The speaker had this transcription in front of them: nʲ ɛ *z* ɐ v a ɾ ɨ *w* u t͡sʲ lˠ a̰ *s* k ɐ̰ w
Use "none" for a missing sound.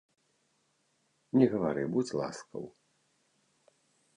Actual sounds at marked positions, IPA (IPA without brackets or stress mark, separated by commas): ɣ, b, s